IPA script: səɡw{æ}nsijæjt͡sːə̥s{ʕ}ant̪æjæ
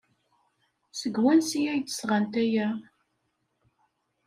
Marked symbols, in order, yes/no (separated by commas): yes, no